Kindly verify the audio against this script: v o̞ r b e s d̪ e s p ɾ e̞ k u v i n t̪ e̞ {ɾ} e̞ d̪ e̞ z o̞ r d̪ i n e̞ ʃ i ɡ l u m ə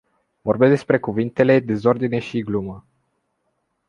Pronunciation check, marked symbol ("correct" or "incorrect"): incorrect